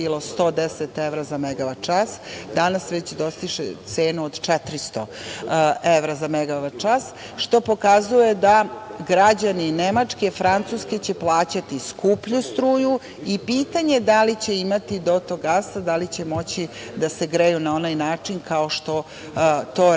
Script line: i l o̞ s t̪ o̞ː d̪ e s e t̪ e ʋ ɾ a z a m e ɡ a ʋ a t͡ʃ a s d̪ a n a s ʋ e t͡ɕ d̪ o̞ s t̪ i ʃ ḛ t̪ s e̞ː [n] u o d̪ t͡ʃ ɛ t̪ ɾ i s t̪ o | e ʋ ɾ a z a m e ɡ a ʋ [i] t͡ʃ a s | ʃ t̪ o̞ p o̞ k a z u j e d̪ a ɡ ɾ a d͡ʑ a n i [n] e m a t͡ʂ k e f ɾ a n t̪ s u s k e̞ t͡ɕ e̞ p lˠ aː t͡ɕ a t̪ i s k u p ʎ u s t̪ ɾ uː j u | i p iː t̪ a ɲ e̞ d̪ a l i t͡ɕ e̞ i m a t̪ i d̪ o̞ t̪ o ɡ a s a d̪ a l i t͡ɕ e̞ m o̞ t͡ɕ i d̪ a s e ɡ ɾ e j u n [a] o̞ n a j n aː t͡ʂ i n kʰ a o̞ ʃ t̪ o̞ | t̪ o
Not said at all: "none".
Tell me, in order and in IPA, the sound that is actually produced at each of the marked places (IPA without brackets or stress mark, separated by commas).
n, a, n, a